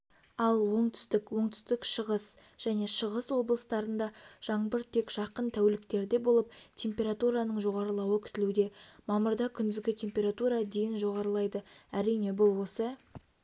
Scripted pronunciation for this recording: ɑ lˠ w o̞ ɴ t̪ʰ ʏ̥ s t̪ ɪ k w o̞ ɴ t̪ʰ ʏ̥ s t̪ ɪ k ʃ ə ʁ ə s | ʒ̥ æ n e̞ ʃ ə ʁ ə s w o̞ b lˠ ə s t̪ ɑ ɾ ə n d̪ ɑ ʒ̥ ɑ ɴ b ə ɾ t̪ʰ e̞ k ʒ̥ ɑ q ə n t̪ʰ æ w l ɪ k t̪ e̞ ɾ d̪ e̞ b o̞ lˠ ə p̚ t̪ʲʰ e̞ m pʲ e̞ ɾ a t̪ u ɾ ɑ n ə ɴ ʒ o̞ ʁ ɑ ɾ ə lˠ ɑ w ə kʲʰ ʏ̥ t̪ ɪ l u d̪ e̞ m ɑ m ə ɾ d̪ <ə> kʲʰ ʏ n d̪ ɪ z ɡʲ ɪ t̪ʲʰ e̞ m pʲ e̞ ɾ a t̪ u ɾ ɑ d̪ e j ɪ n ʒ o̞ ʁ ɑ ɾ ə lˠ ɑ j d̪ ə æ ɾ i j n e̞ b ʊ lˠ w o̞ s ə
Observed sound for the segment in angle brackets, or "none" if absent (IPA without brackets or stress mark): ɑ